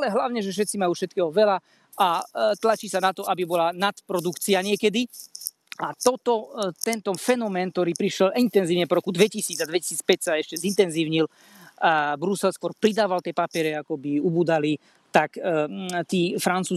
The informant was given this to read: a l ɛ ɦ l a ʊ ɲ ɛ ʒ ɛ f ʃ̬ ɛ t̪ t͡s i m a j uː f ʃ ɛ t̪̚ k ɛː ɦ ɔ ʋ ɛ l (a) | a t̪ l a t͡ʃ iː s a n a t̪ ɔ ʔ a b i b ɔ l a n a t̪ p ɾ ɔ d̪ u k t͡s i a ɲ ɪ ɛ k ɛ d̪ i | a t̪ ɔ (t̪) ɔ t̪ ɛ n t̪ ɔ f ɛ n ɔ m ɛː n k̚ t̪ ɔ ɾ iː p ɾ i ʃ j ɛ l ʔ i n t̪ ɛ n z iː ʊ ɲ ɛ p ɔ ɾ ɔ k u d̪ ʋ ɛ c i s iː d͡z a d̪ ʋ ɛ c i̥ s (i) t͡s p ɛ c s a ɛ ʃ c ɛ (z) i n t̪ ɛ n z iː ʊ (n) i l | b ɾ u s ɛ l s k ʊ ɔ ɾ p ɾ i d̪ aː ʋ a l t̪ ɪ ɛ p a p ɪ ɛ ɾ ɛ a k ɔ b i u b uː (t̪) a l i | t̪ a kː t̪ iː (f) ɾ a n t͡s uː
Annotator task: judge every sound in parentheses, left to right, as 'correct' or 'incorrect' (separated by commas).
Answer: correct, correct, incorrect, correct, incorrect, incorrect, correct